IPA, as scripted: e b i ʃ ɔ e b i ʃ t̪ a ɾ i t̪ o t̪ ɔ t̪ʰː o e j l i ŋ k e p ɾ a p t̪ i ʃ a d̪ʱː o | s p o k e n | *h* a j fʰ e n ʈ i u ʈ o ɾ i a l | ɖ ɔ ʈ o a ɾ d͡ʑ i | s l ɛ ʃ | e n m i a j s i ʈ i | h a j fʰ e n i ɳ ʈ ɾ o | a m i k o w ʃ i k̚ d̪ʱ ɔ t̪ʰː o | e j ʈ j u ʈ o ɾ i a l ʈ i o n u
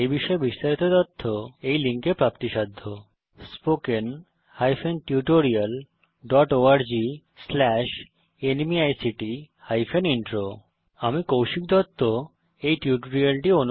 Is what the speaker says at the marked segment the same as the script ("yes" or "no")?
yes